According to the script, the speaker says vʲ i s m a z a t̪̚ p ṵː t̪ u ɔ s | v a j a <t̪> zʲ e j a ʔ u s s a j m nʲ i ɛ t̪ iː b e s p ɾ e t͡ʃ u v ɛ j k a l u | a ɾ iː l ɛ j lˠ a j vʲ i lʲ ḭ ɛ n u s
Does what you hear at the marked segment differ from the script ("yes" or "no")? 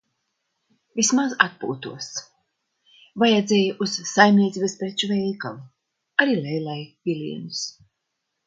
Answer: yes